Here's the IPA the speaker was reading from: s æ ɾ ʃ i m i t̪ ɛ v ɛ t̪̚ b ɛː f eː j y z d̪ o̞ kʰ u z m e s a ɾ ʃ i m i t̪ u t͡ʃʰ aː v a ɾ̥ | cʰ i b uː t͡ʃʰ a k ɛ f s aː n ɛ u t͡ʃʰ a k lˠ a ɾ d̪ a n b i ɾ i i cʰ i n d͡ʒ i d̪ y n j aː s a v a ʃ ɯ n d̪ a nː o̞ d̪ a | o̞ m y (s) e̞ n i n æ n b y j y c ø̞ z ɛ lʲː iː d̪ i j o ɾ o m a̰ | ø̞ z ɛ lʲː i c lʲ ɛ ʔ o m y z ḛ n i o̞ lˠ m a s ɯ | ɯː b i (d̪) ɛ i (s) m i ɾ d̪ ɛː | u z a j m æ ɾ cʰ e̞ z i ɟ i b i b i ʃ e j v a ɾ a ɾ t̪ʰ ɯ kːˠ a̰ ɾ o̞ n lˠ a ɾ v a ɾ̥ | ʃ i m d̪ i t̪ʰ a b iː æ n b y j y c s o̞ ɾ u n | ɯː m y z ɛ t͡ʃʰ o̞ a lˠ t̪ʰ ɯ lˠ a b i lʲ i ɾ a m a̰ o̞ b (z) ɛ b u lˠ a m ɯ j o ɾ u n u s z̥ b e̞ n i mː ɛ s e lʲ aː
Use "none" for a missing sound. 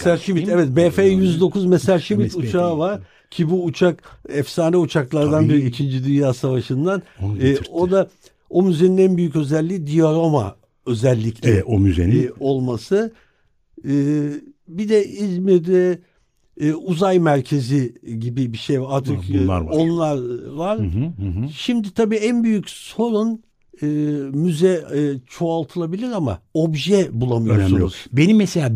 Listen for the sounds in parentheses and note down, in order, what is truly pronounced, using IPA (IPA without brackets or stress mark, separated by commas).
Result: z, d̪, z, ʒ